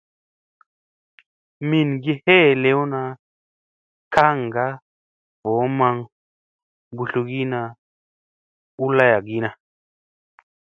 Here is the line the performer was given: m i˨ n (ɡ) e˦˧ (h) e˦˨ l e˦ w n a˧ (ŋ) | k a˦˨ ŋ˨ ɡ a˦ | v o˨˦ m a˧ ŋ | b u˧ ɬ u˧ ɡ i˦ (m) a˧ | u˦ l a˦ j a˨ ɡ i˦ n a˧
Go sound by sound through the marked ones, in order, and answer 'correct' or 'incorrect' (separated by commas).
correct, correct, incorrect, incorrect